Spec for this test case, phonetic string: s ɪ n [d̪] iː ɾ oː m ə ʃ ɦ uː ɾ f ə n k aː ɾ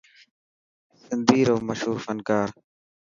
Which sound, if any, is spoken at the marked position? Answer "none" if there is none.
d̪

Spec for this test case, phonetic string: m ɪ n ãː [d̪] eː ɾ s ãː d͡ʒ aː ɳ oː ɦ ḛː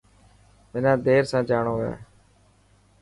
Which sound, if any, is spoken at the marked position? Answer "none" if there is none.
d̪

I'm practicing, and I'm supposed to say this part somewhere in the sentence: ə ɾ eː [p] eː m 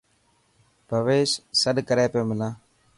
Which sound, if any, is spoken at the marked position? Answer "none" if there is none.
p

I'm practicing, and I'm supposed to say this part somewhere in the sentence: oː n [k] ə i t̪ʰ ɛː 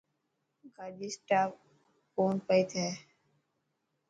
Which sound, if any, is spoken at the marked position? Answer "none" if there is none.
p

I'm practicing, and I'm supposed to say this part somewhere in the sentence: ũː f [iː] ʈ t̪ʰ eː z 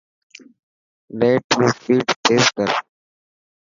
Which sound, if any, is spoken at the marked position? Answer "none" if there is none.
iː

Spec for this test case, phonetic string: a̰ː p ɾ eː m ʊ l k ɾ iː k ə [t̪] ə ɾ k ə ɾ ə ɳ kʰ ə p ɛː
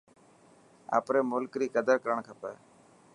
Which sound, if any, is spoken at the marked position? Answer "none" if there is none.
d̪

